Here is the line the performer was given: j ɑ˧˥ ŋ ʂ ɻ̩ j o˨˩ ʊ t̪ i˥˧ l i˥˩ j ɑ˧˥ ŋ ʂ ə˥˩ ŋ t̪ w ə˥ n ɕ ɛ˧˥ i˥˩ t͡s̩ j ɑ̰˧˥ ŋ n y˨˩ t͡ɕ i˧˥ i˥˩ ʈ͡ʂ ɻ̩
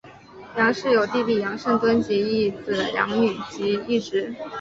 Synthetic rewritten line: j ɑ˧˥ ŋ ʂ ɻ̩ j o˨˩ ʊ t̪ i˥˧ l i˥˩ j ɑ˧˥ ŋ ʂ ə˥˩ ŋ t̪ w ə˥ n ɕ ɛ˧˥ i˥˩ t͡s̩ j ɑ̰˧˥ ŋ n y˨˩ t͡ɕ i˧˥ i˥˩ ʈ͡ʂ ɻ̩